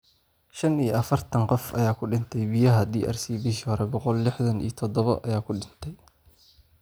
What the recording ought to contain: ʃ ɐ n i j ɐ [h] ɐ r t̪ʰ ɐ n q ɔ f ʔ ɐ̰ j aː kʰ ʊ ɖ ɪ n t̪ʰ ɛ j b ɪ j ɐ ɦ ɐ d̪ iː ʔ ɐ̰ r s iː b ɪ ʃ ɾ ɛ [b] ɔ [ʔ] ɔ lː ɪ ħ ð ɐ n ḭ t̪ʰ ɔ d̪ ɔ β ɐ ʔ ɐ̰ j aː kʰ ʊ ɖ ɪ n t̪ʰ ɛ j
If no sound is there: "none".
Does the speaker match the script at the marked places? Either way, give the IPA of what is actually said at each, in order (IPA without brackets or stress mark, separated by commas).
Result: f, b, q